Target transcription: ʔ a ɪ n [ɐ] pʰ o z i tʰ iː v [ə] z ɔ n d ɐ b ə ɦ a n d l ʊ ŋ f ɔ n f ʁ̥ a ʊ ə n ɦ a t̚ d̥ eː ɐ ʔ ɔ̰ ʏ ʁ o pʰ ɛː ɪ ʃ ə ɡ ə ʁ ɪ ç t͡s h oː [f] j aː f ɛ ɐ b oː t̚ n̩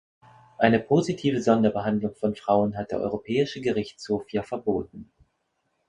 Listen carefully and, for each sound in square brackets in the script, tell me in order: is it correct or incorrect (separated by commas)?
incorrect, correct, correct